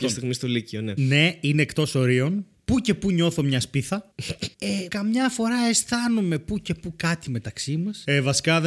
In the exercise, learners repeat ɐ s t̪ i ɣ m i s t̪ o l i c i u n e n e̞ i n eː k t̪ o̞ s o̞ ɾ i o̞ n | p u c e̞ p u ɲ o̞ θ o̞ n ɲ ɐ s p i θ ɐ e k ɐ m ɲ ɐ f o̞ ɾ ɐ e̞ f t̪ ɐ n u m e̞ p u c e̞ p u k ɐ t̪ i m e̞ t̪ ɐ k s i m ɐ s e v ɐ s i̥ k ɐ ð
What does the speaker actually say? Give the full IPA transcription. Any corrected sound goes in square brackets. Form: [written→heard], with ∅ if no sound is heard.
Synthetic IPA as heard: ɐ s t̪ i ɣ m i s t̪ o l i c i [u→o] n e n e̞ i n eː k t̪ o̞ s o̞ ɾ i o̞ n | p u c e̞ p u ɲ o̞ θ o̞ [n→m] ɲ ɐ s p i θ ɐ e k ɐ m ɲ ɐ f o̞ ɾ ɐ e̞ [f→s] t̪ ɐ n u m e̞ p u c e̞ p u k ɐ t̪ i m e̞ t̪ ɐ k s i m ɐ s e v ɐ s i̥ k ɐ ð